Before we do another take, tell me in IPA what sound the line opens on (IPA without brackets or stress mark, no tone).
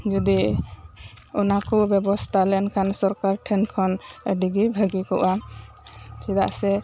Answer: d͡ʒ